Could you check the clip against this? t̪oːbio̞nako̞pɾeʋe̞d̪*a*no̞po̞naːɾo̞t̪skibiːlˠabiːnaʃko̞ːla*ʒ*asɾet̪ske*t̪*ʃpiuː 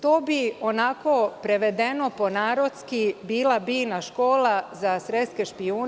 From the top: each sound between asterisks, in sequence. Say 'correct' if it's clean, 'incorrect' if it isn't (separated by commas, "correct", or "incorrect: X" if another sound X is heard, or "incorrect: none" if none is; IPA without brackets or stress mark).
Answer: incorrect: e, incorrect: z, incorrect: none